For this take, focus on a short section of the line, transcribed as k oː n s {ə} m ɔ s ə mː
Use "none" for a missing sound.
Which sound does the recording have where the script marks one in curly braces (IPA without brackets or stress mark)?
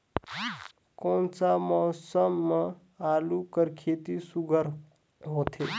a